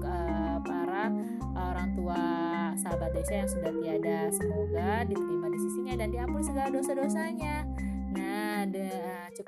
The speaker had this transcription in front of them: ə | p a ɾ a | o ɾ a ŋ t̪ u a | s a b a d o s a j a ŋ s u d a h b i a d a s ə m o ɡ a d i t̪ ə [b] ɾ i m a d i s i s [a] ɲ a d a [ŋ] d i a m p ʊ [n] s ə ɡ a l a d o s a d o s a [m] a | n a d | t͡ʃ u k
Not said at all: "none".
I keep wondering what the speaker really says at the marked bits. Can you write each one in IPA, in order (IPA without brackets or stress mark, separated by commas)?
none, i, n, n, ɲ